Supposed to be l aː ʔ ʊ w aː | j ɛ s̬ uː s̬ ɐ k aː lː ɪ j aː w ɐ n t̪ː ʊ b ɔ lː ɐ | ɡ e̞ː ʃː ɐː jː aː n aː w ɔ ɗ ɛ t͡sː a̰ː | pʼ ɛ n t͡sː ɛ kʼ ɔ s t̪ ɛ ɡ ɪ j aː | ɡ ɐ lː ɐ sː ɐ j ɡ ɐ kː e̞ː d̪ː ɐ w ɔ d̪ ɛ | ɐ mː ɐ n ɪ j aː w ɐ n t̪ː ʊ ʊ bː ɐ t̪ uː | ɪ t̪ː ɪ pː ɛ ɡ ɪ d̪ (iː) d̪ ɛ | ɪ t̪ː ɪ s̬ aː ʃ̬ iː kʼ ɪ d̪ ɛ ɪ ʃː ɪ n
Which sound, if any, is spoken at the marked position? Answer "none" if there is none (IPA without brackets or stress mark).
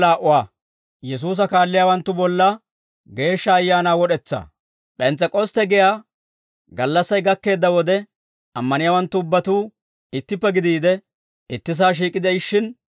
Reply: iː